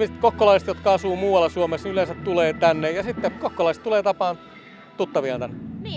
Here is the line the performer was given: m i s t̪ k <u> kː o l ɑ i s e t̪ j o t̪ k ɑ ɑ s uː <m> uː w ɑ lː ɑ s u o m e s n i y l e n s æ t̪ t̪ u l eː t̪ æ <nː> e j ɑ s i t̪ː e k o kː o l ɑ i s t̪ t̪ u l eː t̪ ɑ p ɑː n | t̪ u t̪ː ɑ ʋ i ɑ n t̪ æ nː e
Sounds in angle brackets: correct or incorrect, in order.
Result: incorrect: o, correct, correct

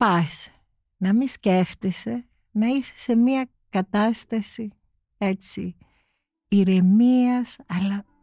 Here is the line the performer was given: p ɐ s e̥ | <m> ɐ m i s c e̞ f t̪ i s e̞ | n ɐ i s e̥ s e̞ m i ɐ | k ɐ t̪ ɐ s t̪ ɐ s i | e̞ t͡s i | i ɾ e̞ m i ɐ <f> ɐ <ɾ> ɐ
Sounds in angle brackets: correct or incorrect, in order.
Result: incorrect: n, incorrect: s, incorrect: l

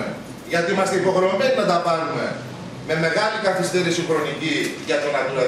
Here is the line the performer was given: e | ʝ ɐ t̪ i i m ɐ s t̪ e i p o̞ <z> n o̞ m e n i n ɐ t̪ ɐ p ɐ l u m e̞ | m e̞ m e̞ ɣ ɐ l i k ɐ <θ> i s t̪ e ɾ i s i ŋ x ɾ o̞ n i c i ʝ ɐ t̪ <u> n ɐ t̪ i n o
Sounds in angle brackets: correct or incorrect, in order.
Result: incorrect: ɣ, correct, incorrect: o

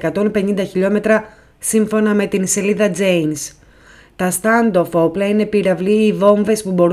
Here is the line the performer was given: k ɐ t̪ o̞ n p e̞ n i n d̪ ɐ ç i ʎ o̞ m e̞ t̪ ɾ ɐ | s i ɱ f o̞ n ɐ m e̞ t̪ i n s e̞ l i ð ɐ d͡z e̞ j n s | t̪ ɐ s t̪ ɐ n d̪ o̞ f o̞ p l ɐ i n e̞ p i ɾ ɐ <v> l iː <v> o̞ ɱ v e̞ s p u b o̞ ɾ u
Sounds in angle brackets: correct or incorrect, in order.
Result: correct, correct

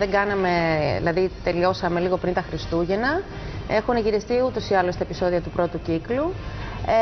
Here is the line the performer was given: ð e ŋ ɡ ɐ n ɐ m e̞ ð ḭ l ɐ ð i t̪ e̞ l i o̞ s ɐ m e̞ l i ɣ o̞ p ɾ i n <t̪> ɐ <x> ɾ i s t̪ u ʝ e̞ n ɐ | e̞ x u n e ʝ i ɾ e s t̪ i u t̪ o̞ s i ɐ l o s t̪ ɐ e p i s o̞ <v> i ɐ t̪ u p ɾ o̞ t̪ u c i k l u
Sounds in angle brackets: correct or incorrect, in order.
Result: correct, correct, incorrect: ð

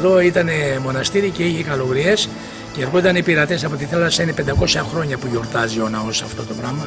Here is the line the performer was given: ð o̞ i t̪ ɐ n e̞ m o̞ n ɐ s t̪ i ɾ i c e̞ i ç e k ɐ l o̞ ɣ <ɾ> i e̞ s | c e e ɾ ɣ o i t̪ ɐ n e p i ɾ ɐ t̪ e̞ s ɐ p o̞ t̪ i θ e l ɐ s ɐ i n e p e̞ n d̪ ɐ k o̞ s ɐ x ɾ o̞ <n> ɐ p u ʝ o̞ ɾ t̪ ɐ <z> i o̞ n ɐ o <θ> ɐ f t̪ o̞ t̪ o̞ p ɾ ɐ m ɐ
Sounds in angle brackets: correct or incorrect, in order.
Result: correct, incorrect: ɲ, correct, incorrect: s

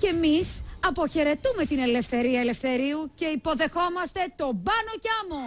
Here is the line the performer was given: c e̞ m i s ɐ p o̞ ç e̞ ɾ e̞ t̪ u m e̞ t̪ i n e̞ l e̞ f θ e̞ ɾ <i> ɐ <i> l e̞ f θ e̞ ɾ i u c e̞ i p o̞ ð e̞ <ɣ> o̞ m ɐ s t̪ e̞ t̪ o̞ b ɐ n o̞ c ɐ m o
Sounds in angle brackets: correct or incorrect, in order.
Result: correct, incorrect: e, incorrect: x

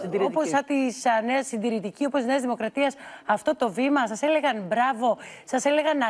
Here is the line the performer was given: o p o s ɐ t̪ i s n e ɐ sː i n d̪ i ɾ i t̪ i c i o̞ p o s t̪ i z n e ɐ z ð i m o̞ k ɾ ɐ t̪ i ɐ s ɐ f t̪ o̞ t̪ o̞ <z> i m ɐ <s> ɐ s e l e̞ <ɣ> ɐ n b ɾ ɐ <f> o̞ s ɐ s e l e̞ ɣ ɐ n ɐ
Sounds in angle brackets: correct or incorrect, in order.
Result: incorrect: v, correct, correct, incorrect: v

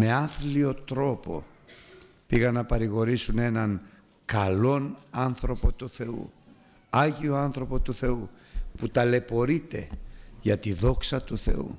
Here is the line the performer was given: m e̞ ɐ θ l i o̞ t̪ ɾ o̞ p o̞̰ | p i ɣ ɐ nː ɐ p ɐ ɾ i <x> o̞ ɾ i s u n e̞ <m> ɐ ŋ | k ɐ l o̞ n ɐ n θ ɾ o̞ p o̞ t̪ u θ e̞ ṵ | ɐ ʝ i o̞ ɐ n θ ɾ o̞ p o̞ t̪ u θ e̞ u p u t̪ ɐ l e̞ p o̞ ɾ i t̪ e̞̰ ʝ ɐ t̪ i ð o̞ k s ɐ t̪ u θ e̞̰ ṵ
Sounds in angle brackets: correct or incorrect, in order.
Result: incorrect: ɣ, incorrect: n

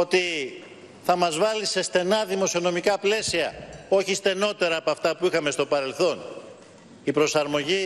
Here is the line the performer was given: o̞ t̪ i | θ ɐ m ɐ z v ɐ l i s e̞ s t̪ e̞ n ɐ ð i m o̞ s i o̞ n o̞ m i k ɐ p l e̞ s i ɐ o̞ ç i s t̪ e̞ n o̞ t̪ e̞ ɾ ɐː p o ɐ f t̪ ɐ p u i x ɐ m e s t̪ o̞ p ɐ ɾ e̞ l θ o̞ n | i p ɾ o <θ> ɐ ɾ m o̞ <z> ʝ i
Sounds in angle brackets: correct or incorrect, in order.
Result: incorrect: s, incorrect: none

